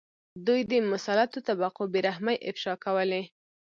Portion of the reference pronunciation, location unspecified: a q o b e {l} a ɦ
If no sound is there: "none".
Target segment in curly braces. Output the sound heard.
ɾ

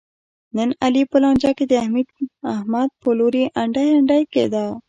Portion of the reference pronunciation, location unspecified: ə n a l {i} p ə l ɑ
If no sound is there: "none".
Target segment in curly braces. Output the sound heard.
i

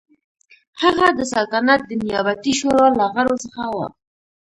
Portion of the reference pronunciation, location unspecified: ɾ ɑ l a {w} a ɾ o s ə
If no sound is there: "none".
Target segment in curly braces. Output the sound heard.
ɣ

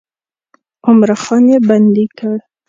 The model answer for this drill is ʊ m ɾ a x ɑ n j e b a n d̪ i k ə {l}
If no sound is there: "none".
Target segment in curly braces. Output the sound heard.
ɽ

